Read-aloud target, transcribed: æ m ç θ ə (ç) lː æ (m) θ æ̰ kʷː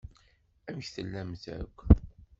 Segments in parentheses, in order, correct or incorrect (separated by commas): incorrect, correct